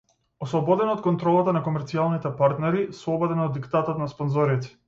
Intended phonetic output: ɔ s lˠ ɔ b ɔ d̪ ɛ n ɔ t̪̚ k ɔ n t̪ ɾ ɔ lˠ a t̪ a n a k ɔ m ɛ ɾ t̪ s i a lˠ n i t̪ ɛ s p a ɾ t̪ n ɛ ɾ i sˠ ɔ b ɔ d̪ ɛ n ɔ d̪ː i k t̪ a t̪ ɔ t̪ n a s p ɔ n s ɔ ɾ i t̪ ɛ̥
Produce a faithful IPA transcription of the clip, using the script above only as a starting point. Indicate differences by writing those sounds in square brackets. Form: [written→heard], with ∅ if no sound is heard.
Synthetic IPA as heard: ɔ s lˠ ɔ b ɔ d̪ ɛ n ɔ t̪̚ k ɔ n t̪ ɾ ɔ lˠ a t̪ a n a k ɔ m ɛ ɾ t̪ s i a lˠ n i t̪ ɛ [s→∅] p a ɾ t̪ n ɛ ɾ i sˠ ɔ b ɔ d̪ ɛ n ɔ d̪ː i k t̪ a t̪ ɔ t̪ n a s p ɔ n [s→z] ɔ ɾ i t̪ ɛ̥